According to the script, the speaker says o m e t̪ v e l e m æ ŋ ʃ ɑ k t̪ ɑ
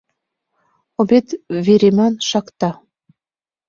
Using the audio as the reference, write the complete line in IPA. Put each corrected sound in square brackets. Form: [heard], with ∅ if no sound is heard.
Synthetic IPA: o [b] e t̪ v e [ɾ] e m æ [n] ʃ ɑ k t̪ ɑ